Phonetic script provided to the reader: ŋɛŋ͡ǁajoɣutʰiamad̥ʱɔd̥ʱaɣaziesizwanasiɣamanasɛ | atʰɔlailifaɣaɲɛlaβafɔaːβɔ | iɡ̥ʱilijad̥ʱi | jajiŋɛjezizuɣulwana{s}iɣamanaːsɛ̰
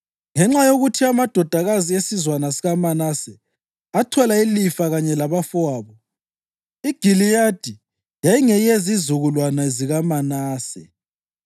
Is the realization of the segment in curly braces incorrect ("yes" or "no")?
yes